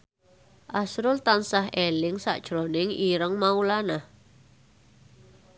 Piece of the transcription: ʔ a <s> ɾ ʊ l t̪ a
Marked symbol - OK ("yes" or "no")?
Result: yes